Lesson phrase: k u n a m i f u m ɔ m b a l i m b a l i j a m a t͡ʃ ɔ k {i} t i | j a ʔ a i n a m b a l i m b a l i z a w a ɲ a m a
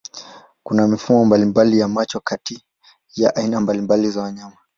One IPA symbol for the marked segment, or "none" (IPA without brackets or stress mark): a